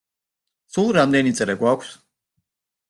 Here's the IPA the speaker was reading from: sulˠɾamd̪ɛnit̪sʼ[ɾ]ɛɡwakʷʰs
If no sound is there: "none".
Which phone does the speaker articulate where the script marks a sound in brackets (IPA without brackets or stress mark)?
ɾ